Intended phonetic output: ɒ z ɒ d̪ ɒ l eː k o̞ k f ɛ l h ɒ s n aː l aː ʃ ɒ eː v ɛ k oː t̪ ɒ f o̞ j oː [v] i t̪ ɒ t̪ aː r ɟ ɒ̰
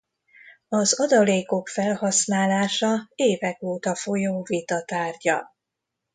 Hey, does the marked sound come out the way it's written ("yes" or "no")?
yes